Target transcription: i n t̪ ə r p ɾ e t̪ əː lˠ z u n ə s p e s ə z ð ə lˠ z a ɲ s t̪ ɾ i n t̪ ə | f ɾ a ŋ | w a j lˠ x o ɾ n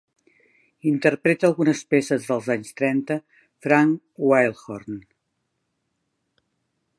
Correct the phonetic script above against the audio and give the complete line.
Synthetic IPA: i n t̪ ə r p ɾ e t̪ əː lˠ ɣ u n ə s p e s ə z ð ə lˠ z a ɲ s t̪ ɾ ɛ n t̪ ə | f ɾ a ŋ | w a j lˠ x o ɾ n